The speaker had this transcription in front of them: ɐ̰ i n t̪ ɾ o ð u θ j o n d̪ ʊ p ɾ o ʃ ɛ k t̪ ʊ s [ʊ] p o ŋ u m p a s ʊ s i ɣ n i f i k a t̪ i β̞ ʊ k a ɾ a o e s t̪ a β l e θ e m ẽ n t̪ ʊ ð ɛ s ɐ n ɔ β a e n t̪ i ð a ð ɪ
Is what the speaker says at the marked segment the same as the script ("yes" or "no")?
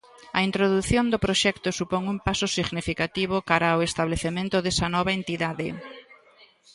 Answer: no